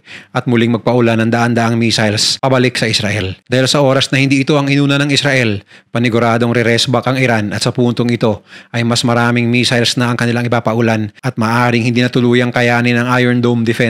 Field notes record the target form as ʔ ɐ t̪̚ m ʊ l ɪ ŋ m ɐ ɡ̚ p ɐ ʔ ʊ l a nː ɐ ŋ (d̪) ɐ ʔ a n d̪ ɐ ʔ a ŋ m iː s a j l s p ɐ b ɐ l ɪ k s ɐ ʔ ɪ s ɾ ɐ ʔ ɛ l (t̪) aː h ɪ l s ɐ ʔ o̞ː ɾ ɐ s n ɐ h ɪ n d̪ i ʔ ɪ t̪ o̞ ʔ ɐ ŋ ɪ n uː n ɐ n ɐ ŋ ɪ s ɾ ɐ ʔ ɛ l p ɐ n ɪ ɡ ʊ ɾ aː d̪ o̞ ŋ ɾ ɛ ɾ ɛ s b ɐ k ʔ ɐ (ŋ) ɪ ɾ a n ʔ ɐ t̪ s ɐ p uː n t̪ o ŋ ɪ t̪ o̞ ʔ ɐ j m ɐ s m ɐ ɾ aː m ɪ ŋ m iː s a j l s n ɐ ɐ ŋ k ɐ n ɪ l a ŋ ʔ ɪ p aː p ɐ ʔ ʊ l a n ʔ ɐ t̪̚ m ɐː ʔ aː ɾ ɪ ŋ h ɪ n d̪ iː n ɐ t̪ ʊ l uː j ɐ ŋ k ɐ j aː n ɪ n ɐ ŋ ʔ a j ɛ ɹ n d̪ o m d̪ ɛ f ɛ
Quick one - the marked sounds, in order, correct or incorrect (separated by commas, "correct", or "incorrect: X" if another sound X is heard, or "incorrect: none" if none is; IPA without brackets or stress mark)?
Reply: correct, incorrect: d̪, correct